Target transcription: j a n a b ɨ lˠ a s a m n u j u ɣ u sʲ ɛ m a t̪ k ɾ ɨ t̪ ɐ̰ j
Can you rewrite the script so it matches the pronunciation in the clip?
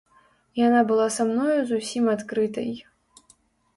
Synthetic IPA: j a n a b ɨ lˠ a s a m n ɔ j u z u sʲ i m a t̪ k ɾ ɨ t̪ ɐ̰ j